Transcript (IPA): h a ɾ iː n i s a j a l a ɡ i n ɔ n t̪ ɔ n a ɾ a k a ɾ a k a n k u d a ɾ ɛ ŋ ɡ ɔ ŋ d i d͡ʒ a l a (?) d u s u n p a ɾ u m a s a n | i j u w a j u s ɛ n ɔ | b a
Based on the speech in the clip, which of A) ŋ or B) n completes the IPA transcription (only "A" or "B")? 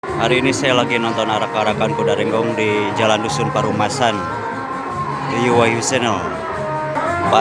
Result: B